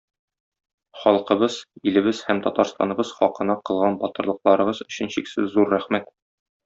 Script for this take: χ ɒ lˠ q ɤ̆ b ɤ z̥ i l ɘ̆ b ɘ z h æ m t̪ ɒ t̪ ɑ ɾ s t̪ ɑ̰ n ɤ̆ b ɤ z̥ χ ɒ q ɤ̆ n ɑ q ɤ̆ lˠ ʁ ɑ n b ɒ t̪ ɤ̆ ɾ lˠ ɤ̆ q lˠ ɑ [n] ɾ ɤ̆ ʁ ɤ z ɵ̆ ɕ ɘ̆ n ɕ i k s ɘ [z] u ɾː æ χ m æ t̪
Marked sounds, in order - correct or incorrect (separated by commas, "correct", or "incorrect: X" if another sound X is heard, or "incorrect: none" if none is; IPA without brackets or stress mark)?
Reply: incorrect: none, incorrect: zː